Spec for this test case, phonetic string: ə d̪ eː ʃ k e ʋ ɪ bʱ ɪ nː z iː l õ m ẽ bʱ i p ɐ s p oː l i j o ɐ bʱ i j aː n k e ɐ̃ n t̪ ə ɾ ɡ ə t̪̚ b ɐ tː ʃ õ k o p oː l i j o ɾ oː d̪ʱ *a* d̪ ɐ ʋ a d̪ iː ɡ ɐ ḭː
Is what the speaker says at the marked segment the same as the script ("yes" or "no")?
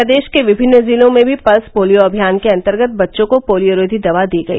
no